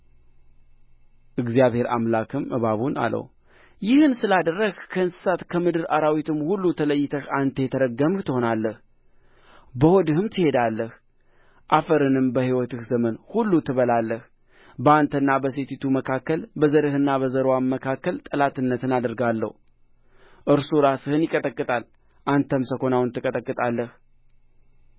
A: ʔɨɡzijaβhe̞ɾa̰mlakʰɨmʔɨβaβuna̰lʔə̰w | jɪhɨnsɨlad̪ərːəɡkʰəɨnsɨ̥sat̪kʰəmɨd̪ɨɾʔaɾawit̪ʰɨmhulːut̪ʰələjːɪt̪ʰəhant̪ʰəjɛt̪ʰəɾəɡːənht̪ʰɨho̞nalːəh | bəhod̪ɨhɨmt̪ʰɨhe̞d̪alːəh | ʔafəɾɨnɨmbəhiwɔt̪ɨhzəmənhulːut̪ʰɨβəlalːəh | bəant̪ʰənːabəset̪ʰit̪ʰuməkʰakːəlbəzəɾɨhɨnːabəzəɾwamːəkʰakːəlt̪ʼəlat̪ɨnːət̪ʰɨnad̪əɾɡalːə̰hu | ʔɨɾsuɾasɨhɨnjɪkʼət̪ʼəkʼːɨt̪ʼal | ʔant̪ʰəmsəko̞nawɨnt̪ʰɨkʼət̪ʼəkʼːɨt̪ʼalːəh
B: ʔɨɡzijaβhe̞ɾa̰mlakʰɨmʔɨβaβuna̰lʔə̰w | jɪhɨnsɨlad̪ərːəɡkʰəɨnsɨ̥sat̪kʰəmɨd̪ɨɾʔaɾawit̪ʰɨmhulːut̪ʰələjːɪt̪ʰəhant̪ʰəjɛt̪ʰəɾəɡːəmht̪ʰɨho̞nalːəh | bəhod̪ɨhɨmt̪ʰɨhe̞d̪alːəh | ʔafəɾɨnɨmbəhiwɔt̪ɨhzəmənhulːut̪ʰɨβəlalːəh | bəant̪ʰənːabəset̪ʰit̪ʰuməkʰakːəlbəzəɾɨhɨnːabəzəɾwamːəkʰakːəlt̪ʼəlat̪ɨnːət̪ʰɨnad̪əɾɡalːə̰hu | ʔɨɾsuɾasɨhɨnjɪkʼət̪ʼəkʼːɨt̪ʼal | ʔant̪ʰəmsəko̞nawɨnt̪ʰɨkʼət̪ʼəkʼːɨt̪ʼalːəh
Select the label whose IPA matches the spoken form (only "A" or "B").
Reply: B